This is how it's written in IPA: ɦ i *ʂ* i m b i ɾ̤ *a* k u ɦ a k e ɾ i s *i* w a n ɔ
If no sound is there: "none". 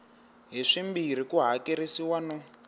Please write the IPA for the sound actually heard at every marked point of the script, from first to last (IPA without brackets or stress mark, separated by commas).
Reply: ʂ, i, i